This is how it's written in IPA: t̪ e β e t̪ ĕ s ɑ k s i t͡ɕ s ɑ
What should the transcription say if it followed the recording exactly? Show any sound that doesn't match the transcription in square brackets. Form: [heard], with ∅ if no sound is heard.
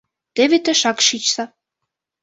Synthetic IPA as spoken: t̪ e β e t̪ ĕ [ʃ] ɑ k [ʃ] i t͡ɕ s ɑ

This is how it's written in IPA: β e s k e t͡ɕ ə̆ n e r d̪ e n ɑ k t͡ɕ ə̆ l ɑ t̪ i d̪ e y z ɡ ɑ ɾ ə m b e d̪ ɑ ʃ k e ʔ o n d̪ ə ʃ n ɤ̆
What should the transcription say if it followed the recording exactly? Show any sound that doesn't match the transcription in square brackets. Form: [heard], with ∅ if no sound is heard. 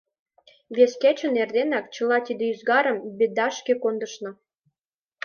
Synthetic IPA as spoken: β e s k e t͡ɕ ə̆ n e r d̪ e n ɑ k t͡ɕ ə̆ l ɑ t̪ i d̪ e y z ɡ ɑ ɾ ə m b e d̪ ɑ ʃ k e [k] o n d̪ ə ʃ n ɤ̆

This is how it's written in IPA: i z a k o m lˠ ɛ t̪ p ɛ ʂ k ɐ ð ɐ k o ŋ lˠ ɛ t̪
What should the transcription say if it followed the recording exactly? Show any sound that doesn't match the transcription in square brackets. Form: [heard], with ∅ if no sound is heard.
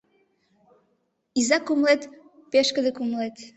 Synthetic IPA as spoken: i z a k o m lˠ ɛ t̪ p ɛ [ʃ] k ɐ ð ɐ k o [m] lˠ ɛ t̪

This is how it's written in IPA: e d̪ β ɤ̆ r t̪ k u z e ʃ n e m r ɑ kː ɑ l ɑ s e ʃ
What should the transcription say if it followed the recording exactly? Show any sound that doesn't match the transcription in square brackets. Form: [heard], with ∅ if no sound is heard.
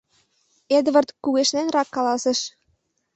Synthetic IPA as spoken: e d̪ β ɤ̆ r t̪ k u [ɣ] e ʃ n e [n] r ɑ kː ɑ l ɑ s e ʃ

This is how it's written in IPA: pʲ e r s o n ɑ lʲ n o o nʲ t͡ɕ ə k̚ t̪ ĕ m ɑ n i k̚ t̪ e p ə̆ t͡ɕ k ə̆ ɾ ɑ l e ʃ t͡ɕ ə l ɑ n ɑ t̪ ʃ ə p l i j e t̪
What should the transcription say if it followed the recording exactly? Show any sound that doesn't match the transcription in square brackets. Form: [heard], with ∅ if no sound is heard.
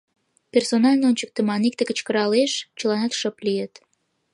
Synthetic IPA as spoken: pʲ e r s o n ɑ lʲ n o o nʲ t͡ɕ ə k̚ t̪ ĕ m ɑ n i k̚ t̪ e [k] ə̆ t͡ɕ k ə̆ ɾ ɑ l e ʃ t͡ɕ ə l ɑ n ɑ t̪ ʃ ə p l i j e t̪

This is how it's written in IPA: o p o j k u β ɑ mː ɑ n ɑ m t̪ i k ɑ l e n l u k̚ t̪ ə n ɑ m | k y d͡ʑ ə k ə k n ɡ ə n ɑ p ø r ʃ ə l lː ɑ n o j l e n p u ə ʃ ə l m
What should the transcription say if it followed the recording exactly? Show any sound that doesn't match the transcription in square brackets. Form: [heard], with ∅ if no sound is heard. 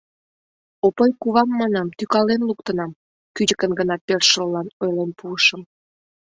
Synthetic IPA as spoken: o p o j k u β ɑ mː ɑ n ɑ m t̪ [y] k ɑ l e n l u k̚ t̪ ə n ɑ m | k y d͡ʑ ə k ə [∅] n ɡ ə n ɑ p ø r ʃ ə l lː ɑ n o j l e n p u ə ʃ ə [∅] m

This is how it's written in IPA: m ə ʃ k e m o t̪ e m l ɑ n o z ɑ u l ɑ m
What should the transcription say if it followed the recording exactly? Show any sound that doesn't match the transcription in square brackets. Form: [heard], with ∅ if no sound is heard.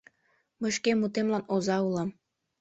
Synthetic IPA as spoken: m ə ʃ k e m [u] t̪ e m l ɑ n o z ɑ u l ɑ m

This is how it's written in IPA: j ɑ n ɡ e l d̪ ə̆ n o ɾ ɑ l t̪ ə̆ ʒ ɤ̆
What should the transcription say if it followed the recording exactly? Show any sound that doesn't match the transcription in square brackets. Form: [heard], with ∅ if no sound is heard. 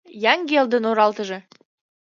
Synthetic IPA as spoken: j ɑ [ŋ] ɡ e l d̪ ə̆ n o ɾ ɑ l t̪ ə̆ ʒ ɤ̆

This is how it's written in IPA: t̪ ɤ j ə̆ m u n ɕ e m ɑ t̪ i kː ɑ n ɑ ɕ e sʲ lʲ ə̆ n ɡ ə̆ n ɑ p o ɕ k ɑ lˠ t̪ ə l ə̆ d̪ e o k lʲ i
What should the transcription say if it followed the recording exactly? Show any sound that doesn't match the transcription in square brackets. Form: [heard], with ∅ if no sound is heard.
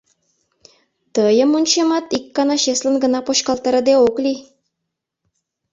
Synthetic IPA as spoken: t̪ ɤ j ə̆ m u n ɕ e m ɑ t̪ i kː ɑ n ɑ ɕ e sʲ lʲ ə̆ n ɡ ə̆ n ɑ p o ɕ k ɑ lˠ t̪ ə [ɾ] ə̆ d̪ e o k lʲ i

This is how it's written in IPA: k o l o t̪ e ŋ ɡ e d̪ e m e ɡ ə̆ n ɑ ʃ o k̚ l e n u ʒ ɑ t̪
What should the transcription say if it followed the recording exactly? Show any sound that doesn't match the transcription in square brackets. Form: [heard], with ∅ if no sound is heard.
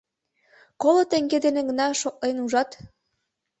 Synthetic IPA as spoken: k o l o t̪ e ŋ ɡ e d̪ e [n] e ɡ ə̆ n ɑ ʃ o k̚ l e n u ʒ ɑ t̪

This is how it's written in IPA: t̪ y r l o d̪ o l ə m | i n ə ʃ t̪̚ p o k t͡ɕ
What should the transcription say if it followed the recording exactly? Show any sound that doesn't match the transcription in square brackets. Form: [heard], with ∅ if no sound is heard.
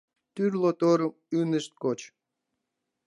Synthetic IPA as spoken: t̪ y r l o [t̪] o [ɾ] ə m | [y] n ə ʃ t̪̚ [k] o [∅] t͡ɕ

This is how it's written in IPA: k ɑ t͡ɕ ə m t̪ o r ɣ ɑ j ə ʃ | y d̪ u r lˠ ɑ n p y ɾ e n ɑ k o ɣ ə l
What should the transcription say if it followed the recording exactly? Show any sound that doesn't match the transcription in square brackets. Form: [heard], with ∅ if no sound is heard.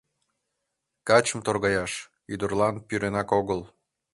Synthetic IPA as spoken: k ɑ t͡ɕ ə m t̪ o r ɣ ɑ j [ɑ] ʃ | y d̪ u r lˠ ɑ n p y ɾ e n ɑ k o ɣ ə l

